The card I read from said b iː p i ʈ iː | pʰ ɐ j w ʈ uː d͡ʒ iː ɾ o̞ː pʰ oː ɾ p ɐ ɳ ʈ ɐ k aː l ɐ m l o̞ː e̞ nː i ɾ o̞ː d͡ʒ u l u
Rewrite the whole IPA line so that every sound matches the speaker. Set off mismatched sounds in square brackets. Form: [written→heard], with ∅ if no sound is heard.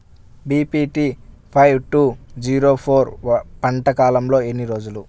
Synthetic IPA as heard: b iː p i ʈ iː | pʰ ɐ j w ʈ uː d͡ʒ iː ɾ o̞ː pʰ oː ɾ p ɐ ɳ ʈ ɐ k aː l ɐ m l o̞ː e̞ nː i ɾ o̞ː d͡ʒ u l u